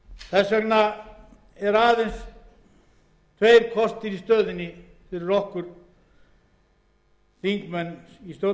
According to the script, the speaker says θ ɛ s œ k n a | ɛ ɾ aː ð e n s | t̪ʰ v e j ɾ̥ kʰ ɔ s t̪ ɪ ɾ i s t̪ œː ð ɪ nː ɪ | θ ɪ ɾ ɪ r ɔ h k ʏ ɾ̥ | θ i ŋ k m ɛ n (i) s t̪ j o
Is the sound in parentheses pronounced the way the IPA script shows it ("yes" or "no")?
yes